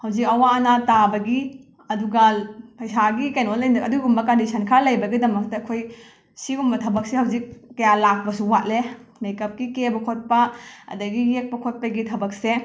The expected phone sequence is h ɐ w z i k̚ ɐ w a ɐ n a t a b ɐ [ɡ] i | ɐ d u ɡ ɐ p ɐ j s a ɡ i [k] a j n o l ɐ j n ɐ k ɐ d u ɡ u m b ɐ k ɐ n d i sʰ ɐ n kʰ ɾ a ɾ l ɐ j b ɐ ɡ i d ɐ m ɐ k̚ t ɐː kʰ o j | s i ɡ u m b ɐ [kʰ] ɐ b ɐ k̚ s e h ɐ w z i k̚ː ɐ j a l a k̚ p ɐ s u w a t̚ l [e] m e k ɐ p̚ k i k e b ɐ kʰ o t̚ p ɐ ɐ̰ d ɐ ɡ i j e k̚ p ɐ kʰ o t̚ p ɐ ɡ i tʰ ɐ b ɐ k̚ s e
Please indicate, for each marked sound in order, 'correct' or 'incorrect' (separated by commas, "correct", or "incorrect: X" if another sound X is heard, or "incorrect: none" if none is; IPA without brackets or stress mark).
correct, correct, incorrect: tʰ, correct